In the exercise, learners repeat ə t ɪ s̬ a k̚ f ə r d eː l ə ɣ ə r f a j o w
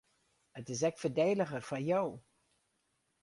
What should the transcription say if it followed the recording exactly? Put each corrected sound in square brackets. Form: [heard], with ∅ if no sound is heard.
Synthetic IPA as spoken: ə t ɪ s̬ [ɛ] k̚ f ə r d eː l ə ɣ ə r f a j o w